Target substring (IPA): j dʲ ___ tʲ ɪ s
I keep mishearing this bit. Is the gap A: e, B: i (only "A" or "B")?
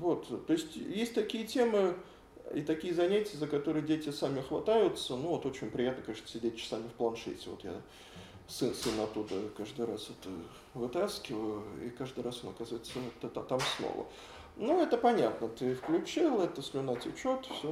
A